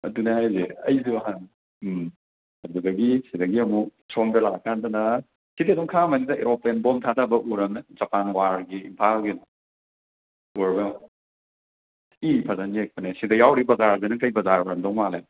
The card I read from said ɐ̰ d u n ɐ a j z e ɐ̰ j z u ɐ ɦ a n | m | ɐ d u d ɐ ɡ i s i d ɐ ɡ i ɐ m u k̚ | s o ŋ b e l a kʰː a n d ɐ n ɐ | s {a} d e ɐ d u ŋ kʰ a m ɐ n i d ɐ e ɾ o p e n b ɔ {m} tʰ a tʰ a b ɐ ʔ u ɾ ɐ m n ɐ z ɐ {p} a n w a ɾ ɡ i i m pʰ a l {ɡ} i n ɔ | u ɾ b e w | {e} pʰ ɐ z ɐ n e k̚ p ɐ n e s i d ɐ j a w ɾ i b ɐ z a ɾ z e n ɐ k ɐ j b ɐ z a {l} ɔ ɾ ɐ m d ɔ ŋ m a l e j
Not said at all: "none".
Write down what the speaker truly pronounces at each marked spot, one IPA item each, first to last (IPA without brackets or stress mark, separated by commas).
i, m, p, ɡ, i, ɾ